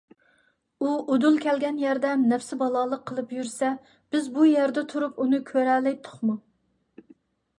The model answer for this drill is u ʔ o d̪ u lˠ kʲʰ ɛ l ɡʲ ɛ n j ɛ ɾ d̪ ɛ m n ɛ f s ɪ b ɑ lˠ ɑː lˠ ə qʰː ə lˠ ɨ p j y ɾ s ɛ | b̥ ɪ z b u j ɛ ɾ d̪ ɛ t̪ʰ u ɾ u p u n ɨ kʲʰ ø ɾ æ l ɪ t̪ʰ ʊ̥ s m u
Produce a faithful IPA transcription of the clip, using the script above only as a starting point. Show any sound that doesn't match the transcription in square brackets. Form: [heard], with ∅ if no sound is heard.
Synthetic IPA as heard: u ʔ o d̪ u lˠ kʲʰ ɛ l ɡʲ ɛ n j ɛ ɾ d̪ ɛ m n ɛ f s ɪ b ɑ lˠ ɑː lˠ ə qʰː ə lˠ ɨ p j y ɾ s ɛ | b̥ ɪ z b u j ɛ ɾ d̪ ɛ t̪ʰ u ɾ u p u n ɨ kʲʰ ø ɾ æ l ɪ t̪ʰ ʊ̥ [χ] m u